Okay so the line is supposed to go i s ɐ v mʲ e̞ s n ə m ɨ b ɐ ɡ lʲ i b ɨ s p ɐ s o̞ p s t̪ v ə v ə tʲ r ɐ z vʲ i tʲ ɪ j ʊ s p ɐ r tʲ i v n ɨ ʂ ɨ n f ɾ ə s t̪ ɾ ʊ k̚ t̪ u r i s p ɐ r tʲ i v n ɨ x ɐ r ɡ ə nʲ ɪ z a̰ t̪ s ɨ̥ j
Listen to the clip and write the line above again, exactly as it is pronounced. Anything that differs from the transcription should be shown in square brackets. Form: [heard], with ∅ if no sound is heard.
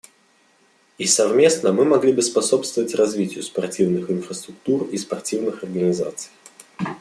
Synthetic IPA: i s ɐ v mʲ e̞ s n ə m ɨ [m] ɐ ɡ lʲ i b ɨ s p ɐ s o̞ p s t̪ v ə v ə tʲ r ɐ z vʲ i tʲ ɪ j ʊ s p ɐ r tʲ i v n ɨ [x] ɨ n f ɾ ə s t̪ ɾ ʊ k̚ t̪ u r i s p ɐ r tʲ i v n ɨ x ɐ r ɡ ə nʲ ɪ z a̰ t̪ s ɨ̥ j